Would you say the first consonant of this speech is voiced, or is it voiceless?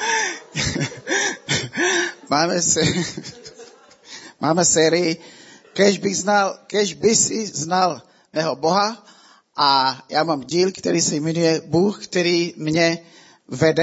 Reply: voiced